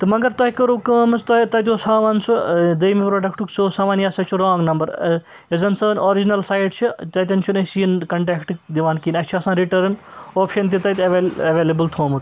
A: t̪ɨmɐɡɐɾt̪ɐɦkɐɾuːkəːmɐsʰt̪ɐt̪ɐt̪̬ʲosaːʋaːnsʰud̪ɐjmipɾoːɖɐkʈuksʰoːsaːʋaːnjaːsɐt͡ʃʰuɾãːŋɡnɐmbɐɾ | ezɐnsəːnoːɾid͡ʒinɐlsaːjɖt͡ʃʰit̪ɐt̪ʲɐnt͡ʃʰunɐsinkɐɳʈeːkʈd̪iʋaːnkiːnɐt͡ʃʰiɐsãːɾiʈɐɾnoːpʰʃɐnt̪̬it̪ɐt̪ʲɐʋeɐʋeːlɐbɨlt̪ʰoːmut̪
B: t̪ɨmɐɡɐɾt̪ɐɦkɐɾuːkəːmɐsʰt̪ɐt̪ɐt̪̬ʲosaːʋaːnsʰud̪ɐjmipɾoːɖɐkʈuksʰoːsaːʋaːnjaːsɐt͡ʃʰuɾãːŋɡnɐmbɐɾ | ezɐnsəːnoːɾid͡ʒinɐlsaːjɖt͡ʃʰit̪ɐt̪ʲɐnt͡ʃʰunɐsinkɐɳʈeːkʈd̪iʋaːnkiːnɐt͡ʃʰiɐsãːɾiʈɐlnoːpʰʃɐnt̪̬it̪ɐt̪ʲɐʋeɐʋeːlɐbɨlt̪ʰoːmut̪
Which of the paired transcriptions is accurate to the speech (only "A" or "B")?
A